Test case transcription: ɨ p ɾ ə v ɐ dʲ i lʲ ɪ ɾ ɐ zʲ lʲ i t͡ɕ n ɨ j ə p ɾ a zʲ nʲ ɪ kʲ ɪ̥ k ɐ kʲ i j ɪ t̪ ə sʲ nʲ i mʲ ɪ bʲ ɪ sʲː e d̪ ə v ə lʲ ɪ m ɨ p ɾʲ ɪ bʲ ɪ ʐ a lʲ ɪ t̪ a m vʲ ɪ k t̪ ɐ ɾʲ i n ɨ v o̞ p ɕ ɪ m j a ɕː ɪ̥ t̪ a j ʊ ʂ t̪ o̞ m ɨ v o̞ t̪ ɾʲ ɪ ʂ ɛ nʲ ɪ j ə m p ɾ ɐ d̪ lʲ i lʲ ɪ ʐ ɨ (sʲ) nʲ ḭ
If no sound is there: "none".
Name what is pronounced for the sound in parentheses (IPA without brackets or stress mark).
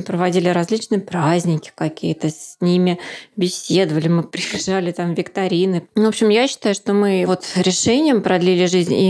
zʲ